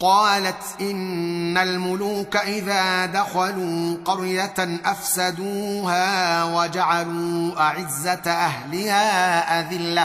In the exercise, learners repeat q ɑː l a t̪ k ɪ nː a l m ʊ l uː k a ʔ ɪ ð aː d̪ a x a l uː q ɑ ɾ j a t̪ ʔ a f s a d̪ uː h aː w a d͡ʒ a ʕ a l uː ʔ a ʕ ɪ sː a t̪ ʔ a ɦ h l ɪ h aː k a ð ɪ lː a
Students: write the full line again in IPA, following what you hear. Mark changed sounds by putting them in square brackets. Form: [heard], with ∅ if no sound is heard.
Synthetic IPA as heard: q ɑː l a t̪ [ʔ] ɪ nː a l m ʊ l uː k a ʔ ɪ ð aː d̪ a x a l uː q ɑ ɾ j a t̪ ʔ a f s a d̪ uː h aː w a d͡ʒ a ʕ a l uː ʔ a ʕ ɪ [zː] a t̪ ʔ a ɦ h l ɪ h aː [ʔ] a ð ɪ lː a